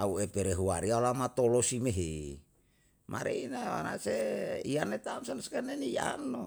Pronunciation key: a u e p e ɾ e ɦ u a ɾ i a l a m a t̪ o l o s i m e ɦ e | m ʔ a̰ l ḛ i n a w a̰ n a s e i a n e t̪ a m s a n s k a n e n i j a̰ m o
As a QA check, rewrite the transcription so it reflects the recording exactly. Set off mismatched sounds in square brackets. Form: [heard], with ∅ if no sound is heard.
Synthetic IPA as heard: a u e p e ɾ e ɦ u a ɾ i a l a m a t̪ o l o s i m e ɦ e | m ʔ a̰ [ɾ] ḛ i n a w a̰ n a s e i a n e t̪ a m s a n s k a n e n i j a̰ [n] o